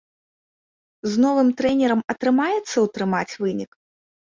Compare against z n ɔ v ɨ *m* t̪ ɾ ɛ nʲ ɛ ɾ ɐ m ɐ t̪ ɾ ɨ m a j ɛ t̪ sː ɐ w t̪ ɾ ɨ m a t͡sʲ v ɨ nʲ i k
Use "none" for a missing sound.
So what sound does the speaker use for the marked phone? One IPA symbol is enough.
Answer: m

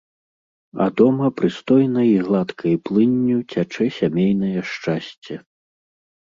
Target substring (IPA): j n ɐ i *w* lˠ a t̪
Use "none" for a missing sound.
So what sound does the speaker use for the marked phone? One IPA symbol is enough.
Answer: ɣ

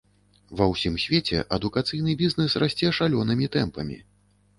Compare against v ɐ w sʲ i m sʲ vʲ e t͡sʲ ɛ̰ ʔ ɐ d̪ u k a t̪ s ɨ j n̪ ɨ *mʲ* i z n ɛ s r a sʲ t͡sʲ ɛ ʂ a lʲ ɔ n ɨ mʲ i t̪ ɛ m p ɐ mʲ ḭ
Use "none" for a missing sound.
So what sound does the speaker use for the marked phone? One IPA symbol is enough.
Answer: bʲ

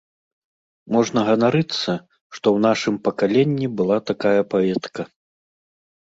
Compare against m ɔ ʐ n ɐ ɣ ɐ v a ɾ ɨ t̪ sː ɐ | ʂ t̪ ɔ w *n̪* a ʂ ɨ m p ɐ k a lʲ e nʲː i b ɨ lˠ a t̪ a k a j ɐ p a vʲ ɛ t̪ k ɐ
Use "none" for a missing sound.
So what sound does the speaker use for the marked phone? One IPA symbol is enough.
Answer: n̪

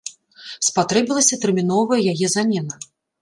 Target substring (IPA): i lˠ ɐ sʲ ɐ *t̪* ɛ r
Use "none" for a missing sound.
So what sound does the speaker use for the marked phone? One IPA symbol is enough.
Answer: t̪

